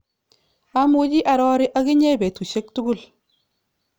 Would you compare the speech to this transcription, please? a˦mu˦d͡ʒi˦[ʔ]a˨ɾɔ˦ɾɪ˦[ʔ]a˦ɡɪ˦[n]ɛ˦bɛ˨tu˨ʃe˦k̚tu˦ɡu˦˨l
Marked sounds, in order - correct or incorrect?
correct, correct, incorrect: ɲ

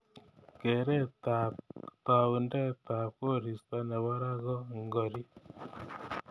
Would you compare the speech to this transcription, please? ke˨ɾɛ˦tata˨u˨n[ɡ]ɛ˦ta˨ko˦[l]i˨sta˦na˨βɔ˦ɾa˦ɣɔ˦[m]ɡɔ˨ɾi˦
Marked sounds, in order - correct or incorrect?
incorrect: d, incorrect: ɾ, incorrect: ŋ

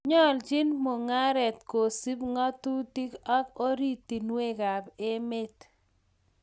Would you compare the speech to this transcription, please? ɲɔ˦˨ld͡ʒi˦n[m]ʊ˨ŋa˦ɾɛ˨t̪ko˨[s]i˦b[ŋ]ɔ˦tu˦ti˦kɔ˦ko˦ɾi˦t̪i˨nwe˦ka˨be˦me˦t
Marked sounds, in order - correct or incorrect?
correct, correct, correct

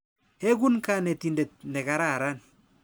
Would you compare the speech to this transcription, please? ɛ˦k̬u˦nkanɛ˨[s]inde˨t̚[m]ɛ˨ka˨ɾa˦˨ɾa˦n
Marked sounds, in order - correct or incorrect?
incorrect: t, incorrect: n

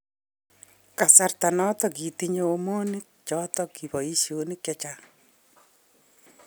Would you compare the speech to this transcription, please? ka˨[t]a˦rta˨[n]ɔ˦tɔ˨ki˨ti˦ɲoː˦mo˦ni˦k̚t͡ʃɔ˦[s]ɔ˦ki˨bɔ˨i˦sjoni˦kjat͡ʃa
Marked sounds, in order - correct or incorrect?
incorrect: s, correct, incorrect: t

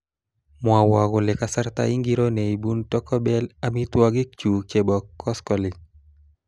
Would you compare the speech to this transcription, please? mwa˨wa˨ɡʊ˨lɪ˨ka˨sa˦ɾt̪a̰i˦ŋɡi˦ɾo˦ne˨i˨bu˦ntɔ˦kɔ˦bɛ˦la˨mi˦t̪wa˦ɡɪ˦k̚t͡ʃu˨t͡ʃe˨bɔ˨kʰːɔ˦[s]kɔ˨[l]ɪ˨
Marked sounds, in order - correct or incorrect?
correct, correct

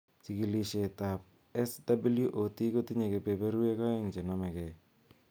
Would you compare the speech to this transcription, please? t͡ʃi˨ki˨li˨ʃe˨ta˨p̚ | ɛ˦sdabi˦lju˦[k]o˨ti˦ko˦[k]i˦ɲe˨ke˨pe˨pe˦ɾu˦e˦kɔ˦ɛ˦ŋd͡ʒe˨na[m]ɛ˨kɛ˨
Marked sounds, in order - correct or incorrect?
incorrect: ʔ, incorrect: t, correct

